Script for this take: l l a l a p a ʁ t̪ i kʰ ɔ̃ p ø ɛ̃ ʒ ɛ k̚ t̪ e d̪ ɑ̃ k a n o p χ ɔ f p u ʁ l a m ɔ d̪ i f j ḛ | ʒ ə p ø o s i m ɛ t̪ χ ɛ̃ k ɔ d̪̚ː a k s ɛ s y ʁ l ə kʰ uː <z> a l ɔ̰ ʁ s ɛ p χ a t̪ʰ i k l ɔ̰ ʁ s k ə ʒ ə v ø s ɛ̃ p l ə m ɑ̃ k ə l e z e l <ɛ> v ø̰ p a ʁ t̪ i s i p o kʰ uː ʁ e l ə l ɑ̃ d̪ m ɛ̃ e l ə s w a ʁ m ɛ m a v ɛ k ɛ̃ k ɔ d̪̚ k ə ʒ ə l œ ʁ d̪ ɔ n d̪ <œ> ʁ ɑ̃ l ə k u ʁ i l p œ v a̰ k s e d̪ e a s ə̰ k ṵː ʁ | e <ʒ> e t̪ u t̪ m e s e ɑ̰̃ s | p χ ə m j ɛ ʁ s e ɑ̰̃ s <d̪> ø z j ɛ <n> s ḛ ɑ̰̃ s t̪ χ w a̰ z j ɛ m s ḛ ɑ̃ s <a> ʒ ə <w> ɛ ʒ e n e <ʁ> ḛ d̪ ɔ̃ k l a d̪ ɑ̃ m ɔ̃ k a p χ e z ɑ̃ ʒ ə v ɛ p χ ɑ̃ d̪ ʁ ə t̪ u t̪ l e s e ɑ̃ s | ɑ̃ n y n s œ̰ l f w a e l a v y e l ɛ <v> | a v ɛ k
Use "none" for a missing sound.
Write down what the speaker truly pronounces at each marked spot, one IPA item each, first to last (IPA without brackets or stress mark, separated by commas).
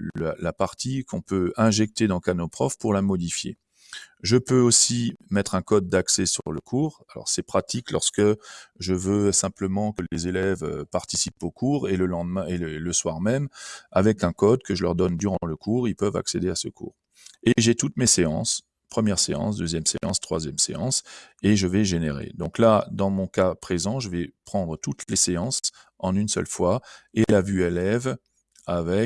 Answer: ʁ, ɛ, y, ʒ, d̪, m, e, v, ʁ, v